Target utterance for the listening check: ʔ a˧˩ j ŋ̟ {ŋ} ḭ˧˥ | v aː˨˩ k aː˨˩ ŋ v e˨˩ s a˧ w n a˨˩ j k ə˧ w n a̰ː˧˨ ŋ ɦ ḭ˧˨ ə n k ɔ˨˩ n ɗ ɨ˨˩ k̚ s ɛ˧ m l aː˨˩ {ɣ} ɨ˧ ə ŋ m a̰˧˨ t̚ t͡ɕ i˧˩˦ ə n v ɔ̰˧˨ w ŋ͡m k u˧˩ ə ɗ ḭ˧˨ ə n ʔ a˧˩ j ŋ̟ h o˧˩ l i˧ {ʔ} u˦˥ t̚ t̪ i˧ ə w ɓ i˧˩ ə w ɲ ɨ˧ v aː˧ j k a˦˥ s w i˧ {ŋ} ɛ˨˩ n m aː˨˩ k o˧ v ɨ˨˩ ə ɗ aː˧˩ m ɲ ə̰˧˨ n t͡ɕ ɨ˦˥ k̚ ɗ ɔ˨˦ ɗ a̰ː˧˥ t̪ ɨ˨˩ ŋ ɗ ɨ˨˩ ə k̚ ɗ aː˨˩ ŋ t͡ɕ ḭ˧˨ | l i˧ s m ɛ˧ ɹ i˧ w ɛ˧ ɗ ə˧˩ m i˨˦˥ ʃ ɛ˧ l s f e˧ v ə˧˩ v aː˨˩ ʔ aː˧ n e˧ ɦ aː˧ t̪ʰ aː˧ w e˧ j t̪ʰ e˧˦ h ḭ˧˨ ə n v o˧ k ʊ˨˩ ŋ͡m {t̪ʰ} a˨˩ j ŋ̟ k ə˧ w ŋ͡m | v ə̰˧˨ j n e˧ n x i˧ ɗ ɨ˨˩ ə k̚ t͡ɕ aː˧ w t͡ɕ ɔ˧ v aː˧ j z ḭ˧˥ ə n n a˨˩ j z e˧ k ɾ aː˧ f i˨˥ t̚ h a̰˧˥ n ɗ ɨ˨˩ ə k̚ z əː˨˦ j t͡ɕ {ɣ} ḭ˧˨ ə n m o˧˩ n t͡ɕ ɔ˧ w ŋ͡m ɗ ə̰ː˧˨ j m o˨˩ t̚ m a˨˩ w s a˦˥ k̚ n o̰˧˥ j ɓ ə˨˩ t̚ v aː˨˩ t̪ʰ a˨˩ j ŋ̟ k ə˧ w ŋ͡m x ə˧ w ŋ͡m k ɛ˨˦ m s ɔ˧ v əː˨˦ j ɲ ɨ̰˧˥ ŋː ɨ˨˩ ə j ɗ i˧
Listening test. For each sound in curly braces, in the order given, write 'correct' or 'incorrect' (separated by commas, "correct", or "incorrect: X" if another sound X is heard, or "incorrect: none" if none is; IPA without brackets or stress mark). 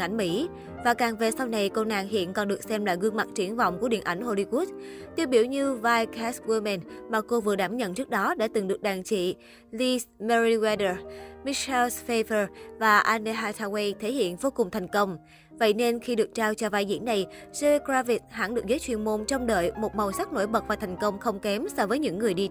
incorrect: m, correct, incorrect: k, incorrect: m, correct, incorrect: w